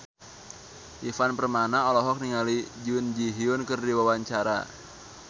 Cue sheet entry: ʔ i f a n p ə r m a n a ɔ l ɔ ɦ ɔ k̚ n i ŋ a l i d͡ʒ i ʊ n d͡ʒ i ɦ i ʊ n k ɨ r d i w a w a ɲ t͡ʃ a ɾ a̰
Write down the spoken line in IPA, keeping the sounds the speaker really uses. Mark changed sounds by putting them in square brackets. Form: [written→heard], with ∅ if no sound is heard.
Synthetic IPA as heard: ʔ i f a n p ə r m a n a ɔ l ɔ ɦ ɔ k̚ n i ŋ a l i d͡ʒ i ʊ n d͡ʒ i ɦ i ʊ n k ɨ r d i w a w a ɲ t͡ʃ a ɾ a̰